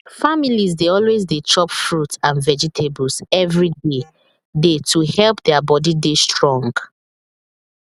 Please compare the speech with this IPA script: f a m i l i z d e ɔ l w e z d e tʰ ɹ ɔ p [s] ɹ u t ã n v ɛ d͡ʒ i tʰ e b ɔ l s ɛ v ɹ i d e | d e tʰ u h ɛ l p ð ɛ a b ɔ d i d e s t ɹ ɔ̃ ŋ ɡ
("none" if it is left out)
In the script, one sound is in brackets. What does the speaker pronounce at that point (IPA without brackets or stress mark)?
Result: f